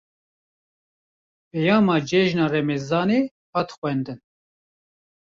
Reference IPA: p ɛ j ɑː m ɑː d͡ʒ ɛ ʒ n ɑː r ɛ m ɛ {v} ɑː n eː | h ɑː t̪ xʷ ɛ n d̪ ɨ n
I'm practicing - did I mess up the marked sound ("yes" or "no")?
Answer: yes